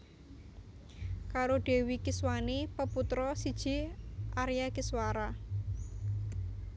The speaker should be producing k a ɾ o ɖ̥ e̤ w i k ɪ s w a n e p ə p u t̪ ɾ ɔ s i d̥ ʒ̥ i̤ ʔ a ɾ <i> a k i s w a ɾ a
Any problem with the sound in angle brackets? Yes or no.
yes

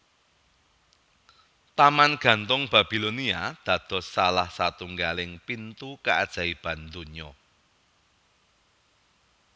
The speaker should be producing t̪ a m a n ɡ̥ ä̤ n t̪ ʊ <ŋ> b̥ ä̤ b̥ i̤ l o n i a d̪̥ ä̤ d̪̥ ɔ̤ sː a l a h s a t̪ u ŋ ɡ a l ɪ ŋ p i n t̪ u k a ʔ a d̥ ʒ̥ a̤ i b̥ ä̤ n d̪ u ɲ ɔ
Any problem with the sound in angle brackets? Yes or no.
no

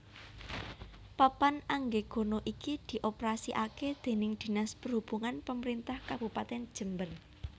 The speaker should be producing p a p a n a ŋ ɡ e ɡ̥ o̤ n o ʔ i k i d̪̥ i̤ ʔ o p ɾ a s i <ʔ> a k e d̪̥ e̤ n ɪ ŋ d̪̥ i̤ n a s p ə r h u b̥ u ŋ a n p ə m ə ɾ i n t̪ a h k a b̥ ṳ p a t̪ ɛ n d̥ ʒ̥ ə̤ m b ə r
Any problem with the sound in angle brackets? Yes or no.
no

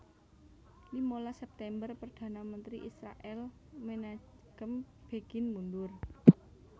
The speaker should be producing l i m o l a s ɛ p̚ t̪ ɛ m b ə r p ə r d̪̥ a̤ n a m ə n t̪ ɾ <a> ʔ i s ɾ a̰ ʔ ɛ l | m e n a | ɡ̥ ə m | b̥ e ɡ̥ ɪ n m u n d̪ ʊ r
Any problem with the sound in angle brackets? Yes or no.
yes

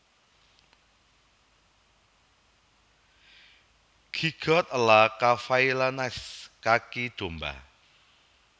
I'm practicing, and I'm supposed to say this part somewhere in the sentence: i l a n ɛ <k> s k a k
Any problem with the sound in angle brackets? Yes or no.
yes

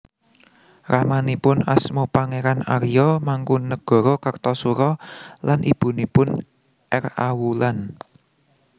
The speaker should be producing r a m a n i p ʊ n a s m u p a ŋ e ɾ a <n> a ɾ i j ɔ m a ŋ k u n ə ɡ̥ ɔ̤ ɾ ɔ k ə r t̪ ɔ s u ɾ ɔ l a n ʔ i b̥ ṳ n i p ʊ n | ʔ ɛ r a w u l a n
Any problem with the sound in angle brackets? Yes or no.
no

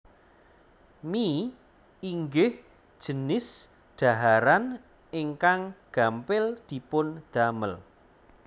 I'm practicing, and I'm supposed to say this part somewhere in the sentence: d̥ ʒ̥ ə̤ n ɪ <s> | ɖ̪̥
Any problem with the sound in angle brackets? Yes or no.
no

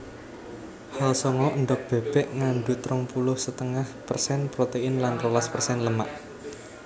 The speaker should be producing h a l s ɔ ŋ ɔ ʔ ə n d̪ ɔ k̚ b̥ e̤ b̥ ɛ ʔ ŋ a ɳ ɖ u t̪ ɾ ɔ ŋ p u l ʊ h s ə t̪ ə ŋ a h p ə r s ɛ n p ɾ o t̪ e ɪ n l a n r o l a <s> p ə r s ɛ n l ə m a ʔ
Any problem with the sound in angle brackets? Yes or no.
no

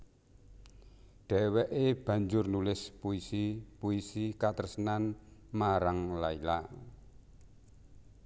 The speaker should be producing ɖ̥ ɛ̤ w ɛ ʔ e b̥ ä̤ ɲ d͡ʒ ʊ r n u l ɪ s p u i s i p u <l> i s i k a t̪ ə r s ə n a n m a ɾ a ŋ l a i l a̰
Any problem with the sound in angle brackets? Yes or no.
yes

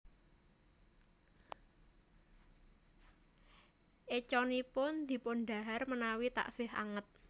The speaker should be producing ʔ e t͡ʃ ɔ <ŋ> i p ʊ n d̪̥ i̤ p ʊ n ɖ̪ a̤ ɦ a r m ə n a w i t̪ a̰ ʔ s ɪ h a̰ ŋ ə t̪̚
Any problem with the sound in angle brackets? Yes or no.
yes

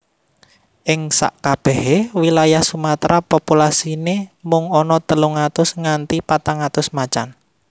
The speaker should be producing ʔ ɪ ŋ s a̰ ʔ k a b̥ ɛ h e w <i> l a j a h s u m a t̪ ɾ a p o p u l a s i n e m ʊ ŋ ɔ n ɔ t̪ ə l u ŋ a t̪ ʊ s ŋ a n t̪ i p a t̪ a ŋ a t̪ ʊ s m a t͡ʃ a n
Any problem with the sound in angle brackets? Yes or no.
no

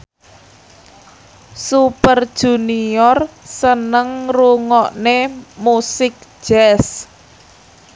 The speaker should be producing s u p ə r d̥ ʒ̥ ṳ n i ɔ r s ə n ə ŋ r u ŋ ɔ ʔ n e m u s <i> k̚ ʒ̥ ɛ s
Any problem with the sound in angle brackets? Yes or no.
yes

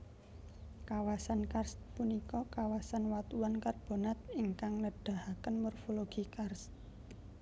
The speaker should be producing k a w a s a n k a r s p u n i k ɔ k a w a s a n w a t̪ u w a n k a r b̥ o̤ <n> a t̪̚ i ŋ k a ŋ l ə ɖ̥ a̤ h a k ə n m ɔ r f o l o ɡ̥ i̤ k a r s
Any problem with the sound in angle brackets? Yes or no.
no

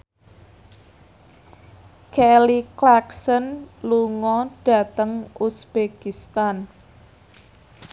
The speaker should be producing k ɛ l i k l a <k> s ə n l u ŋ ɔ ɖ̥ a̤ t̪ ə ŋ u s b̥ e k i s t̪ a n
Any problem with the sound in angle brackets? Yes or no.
no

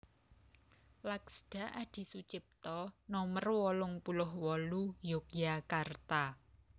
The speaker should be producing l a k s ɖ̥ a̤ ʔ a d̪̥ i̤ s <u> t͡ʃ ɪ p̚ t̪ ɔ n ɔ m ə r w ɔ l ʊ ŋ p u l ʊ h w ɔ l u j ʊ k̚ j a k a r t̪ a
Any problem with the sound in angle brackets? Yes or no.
no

